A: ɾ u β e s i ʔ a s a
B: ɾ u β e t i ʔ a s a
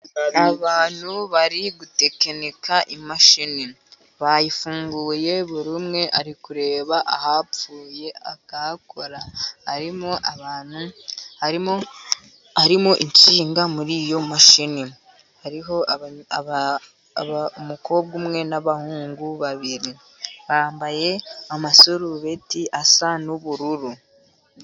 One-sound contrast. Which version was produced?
B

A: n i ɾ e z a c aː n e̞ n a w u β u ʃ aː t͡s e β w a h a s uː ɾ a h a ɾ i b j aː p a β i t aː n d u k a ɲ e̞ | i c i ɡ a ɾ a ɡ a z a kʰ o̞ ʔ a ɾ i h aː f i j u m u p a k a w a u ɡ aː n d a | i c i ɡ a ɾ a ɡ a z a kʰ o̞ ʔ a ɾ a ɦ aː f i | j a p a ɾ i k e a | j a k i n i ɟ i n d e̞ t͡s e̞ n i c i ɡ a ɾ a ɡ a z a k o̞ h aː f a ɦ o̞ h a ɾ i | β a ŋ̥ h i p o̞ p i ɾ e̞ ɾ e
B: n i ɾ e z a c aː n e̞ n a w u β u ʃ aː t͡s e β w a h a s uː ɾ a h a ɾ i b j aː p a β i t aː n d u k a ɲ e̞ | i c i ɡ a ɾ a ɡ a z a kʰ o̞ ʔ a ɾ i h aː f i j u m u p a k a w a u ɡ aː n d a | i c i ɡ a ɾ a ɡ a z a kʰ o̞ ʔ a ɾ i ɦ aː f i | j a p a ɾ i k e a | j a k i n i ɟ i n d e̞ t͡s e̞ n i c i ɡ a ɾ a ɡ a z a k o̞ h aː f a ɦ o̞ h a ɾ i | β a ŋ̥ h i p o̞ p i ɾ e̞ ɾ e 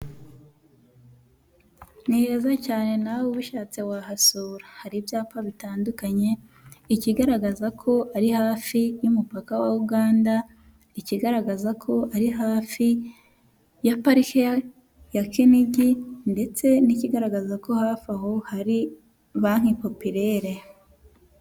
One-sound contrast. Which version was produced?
B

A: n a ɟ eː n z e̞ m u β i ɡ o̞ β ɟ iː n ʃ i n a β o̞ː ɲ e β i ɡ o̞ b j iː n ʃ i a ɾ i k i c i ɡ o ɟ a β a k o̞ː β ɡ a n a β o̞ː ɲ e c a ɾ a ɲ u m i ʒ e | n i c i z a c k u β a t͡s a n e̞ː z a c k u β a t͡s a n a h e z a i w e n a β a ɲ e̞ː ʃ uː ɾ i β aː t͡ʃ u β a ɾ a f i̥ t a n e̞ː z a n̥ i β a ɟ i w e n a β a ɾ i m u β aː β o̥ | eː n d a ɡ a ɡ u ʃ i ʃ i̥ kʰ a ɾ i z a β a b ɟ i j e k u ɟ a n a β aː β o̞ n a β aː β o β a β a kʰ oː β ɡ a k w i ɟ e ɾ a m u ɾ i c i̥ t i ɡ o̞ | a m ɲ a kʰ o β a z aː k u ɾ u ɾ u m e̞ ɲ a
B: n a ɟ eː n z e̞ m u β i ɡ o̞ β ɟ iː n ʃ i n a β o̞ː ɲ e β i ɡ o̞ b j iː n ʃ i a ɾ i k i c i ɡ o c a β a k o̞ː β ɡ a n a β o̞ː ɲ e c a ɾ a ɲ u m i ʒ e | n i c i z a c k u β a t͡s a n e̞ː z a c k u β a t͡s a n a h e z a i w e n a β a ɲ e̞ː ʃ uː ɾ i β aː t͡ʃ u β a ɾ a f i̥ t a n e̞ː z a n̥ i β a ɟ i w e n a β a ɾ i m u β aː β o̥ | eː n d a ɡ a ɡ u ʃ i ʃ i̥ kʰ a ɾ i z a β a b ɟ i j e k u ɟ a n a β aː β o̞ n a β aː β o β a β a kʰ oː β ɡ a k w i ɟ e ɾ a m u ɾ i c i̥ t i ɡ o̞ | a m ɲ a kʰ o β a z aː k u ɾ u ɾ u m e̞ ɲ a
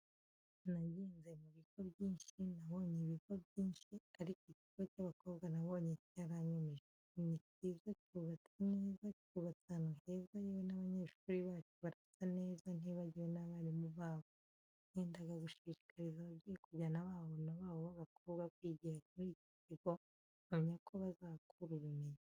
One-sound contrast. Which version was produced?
B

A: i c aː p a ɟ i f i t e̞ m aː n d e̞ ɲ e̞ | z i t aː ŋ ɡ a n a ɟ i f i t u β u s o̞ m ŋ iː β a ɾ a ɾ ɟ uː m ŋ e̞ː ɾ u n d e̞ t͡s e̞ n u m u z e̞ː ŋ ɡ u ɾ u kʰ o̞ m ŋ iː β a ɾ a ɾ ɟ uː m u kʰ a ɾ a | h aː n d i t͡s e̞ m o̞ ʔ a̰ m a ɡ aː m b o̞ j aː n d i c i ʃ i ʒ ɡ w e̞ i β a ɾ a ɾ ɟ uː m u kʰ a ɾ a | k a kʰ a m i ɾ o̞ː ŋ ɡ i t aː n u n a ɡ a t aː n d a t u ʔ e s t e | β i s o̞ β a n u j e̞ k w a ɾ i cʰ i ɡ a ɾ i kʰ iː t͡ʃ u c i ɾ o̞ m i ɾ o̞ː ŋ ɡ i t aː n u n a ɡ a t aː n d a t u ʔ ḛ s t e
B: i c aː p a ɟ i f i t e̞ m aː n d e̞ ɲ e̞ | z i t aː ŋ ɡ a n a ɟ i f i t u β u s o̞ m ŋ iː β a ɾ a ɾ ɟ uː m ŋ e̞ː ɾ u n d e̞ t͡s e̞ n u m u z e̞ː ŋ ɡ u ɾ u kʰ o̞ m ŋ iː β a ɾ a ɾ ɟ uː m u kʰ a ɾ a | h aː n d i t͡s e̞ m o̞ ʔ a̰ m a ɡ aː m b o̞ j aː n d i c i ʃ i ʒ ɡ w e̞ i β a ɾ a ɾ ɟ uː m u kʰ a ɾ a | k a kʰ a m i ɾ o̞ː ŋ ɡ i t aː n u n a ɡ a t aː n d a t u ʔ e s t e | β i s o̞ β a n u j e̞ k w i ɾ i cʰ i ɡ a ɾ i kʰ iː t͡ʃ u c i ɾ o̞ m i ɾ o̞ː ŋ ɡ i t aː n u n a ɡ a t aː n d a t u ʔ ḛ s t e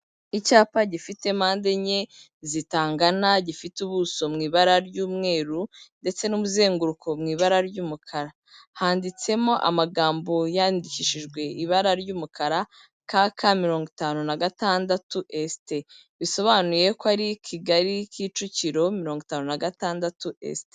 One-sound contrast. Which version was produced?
A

